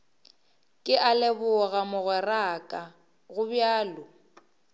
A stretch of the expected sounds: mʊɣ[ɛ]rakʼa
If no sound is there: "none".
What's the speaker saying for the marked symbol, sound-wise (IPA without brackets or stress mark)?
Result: ɛ